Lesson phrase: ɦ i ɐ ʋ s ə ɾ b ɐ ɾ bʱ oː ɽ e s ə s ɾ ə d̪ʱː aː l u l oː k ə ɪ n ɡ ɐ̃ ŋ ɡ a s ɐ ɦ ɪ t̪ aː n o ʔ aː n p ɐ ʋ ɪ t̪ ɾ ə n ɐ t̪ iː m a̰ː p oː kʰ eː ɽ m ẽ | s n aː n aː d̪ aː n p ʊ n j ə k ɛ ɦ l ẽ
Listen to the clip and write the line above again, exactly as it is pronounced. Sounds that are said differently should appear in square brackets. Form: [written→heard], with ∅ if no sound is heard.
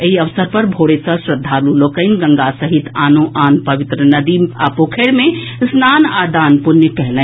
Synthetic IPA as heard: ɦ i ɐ ʋ s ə ɾ [b→p] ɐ ɾ bʱ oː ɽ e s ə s ɾ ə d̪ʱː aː l u l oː k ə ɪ n ɡ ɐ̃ ŋ ɡ a s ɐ ɦ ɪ t̪ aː n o ʔ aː n p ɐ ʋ ɪ t̪ ɾ ə n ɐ [t̪→d̪] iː m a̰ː p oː kʰ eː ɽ m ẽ | s n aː n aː d̪ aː n p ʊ n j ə k ɛ ɦ l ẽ